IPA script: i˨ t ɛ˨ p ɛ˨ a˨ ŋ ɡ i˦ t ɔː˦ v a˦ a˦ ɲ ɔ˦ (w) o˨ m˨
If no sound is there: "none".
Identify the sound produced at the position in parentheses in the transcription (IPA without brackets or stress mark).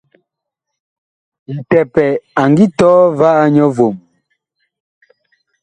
v